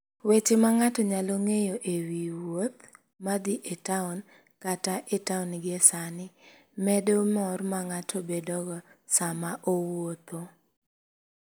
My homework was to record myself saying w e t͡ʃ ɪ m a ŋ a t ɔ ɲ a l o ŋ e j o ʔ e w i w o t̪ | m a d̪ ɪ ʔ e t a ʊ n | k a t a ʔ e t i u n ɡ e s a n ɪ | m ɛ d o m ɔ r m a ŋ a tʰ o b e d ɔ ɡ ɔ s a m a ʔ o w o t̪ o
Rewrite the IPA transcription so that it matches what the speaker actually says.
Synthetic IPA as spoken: w e t͡ʃ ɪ m a ŋ a t ɔ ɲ a l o ŋ e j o ʔ e w i w o t̪ | m a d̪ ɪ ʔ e t a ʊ n | k a t a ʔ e t a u n ɡ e s a n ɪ | m ɛ d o m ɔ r m a ŋ a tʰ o b e d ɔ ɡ ɔ s a m a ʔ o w o t̪ o